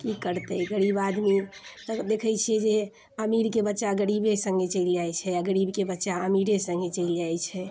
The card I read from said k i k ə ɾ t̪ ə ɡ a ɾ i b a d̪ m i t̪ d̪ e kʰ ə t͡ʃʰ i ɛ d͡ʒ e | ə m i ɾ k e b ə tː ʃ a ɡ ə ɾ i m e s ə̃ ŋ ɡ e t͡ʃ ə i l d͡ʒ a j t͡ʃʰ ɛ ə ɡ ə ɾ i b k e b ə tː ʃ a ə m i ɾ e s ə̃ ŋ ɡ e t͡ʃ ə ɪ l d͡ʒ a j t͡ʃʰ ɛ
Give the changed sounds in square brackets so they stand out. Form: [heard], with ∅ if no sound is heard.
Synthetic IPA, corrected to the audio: k i k ə ɾ t̪ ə ɡ [ə] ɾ i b a d̪ m i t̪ d̪ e kʰ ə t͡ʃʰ i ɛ d͡ʒ e | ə m i ɾ k e b ə tː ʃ a ɡ ə ɾ i [b] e s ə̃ ŋ ɡ e t͡ʃ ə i l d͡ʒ a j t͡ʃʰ ɛ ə ɡ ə ɾ i b k e b ə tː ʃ a ə m i ɾ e s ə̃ ŋ ɡ e t͡ʃ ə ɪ l d͡ʒ a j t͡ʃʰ ɛ